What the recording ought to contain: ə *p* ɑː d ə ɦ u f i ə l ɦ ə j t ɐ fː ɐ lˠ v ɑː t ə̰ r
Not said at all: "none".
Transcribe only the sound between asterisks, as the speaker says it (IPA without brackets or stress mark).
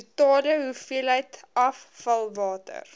t